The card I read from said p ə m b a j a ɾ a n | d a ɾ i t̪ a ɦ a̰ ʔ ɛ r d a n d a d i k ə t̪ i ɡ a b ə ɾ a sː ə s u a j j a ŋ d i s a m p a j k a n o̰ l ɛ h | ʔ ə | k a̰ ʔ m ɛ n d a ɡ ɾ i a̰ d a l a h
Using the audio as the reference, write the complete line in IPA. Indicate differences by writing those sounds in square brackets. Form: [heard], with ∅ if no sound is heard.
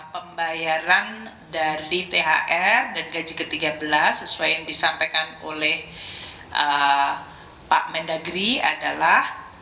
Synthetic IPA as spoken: p ə m b a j a ɾ a n | d a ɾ i t̪ [e] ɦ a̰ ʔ ɛ r d a n [ɡ] a [d͡ʒ] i k ə t̪ i ɡ a b ə [l] a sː ə s u a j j a ŋ d i s a m p a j k a n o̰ l ɛ h | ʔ ə | [p] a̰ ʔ m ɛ n d a ɡ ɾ i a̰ d a l a h